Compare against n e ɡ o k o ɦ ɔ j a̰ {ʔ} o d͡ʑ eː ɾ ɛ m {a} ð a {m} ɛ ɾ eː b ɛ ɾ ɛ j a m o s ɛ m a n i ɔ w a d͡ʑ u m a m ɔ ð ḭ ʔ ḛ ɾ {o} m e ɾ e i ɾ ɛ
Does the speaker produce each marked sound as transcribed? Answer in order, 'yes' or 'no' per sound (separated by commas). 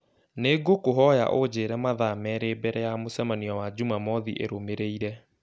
yes, yes, yes, yes